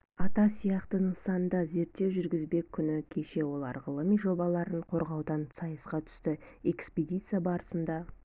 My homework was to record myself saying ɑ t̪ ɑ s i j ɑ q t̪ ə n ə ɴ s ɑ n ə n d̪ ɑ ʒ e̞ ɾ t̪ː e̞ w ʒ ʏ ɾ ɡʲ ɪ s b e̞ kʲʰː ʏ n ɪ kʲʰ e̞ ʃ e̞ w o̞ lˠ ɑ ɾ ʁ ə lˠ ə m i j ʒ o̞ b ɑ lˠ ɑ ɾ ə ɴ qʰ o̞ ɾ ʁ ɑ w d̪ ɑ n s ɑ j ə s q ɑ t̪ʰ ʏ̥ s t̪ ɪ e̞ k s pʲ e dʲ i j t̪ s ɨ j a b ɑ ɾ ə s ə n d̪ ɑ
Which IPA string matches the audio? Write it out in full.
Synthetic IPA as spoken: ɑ t̪ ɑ s i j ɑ q t̪ ə n ə ɴ s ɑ n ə n d̪ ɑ z e̞ ɾ t̪ː e̞ w ʒ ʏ ɾ ɡʲ ɪ z b e̞ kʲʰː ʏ n ɪ kʲʰ e̞ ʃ e̞ w o̞ lˠ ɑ ɾ ʁ ə lˠ ə m i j ʒ o̞ b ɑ lˠ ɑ ɾ ə ɴ qʰ o̞ ɾ ʁ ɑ w d̪ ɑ n s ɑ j ə s q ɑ t̪ʰ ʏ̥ s t̪ ɪ e̞ k s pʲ e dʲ i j t̪ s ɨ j a b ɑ ɾ ə s ə n d̪ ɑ